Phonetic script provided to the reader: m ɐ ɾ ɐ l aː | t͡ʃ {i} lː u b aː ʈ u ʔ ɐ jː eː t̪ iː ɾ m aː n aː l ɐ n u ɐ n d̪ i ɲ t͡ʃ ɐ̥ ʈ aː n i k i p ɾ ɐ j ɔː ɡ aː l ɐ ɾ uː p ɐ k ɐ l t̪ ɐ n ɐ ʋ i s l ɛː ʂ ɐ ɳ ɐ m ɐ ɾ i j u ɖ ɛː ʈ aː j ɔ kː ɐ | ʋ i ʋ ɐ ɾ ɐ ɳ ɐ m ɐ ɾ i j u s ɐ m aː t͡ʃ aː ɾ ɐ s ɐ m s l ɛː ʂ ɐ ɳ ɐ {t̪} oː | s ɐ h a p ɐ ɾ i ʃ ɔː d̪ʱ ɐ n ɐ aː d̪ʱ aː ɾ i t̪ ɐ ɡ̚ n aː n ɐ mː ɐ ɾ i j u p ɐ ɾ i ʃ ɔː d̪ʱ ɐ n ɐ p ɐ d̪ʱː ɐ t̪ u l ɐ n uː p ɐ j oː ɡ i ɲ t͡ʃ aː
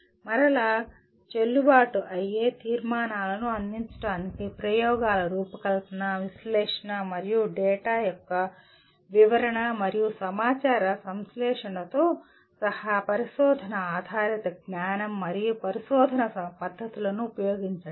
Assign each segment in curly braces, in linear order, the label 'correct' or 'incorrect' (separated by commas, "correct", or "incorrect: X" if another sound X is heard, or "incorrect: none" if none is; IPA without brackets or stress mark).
incorrect: e, correct